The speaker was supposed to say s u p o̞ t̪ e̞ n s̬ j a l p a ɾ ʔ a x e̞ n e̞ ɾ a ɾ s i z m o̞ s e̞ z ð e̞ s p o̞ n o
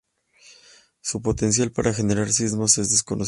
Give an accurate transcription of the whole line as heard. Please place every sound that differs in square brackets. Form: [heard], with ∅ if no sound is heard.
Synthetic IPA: s u p o̞ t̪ e̞ n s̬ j a l p a ɾ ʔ a x e̞ n e̞ ɾ a ɾ s i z m o̞ s e̞ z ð e̞ s [k] o̞ n o